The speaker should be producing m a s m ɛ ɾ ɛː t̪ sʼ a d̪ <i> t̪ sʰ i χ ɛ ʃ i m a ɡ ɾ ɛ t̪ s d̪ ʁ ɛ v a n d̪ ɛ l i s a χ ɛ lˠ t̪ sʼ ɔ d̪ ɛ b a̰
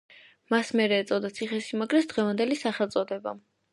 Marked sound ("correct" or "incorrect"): incorrect